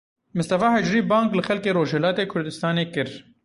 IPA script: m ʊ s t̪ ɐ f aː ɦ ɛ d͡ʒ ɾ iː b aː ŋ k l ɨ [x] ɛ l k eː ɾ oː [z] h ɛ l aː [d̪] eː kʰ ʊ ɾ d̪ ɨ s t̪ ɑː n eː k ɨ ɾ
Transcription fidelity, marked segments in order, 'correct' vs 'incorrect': correct, incorrect: ʒ, incorrect: t̪

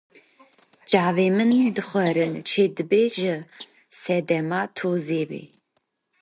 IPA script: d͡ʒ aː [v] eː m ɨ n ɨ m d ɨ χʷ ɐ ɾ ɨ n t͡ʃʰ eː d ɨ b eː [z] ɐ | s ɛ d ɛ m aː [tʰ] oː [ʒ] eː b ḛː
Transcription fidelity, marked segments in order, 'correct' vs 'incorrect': correct, incorrect: ʒ, correct, incorrect: z

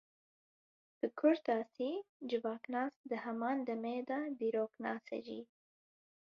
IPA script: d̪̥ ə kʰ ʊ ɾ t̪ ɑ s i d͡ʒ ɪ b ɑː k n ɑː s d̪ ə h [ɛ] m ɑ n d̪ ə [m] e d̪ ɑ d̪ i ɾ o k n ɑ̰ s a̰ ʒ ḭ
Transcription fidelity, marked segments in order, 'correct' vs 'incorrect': incorrect: a, correct

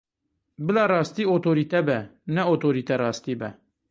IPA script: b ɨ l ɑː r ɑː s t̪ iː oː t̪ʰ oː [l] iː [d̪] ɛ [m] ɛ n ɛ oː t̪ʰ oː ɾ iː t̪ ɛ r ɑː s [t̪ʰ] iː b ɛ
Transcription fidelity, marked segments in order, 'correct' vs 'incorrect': incorrect: ɾ, incorrect: t̪, incorrect: b, incorrect: t̪

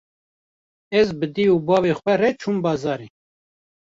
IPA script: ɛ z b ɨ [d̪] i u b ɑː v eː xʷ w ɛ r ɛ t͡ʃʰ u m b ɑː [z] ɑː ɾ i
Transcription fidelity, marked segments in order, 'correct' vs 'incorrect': correct, correct

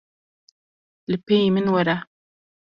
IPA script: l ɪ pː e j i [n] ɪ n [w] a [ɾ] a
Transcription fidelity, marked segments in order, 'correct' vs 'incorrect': incorrect: m, correct, correct

